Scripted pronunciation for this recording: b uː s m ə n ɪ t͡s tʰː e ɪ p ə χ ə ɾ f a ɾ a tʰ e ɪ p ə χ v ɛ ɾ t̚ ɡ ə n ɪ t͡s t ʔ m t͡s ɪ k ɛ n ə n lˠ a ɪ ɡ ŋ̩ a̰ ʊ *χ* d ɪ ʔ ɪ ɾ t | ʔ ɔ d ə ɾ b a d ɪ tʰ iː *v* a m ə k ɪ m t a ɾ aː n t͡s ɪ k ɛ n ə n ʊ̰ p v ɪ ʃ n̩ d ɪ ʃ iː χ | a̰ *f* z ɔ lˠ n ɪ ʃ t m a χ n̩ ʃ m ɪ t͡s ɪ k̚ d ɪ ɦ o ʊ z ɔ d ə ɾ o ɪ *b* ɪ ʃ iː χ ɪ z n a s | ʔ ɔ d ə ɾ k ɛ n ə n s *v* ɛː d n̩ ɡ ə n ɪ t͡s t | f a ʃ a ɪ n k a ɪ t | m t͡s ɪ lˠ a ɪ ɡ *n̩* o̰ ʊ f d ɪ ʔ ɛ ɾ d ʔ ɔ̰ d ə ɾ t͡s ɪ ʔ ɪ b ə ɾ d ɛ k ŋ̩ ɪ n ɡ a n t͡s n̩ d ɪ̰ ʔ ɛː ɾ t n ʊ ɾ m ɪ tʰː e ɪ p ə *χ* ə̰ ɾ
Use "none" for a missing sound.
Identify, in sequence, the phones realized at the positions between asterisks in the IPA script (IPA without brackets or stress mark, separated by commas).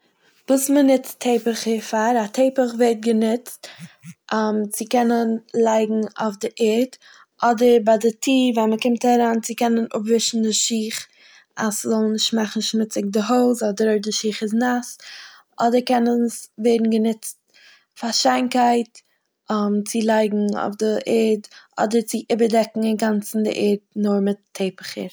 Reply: f, v, s, d, v, ŋ̩, χ